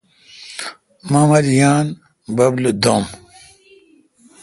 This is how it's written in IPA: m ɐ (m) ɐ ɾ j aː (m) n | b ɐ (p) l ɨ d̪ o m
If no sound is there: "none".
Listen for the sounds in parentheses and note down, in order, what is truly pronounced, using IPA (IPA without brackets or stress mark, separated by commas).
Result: m, none, b